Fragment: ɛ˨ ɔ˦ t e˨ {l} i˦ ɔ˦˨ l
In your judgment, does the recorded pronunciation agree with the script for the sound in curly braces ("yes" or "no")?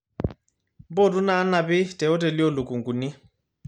yes